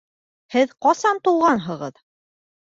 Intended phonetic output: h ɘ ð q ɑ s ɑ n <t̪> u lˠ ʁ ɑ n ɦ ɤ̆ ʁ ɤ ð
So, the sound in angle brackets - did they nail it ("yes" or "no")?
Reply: yes